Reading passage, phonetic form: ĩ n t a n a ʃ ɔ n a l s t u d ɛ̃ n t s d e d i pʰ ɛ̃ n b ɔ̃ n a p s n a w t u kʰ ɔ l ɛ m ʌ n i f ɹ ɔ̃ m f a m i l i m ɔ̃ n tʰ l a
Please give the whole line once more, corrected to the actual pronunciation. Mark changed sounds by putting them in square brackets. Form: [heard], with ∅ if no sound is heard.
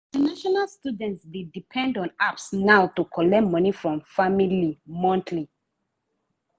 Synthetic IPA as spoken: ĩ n t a n a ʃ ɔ n a l s t u d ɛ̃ n t s d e d i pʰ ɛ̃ n [d] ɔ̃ n a p s n a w t u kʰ ɔ l ɛ m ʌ n i f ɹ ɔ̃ m f a m i l i m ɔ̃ n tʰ l [i]